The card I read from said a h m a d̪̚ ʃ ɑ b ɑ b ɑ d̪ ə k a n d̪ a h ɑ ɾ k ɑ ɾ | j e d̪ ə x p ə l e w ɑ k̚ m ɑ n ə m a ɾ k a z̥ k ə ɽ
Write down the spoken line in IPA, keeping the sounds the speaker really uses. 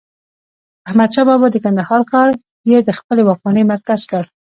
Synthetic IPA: a h m a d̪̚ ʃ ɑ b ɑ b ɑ d̪ ə k a n d̪ a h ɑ ɾ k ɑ ɾ | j e d̪ ə x p ə l e w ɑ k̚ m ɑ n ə m a ɾ k a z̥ k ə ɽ

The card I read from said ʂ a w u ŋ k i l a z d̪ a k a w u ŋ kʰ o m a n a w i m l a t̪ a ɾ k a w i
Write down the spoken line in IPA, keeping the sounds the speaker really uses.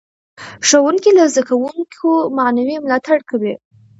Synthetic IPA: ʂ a w u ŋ k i l a z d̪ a k a w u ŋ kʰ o m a n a w i m l ɑ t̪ a ɽ k a w i

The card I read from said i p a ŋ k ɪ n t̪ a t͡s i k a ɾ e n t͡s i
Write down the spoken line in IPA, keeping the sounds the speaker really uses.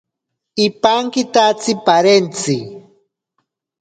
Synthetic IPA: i p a ŋ k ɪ t̪ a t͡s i p a ɾ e n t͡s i

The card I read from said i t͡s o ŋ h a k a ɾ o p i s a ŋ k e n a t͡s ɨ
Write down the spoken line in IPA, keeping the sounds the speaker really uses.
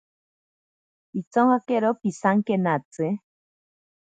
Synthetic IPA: i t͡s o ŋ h a k e ɾ o p i s a ŋ k e n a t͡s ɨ

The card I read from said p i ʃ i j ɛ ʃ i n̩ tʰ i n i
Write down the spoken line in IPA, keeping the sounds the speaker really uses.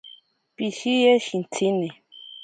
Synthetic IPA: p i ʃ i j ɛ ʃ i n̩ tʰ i n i

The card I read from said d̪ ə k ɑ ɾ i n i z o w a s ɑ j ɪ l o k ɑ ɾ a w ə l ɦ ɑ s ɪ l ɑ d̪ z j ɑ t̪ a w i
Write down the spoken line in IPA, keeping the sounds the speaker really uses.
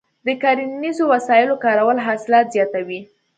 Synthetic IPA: d̪ ə k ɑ ɾ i n i z o w a s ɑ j ɪ l o k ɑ ɾ a w ə l ɦ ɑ s ɪ l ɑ t̪ z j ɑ t̪ a w i

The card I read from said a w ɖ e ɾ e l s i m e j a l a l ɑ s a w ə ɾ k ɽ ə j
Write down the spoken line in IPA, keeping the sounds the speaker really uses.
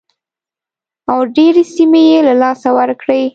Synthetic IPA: a w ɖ e ɾ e s i m e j e l a l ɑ s a w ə ɾ k ɽ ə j

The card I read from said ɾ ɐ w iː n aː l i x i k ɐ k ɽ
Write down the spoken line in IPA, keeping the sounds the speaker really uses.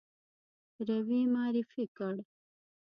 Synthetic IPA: ɾ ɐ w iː m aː ɾ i f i k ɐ ɽ

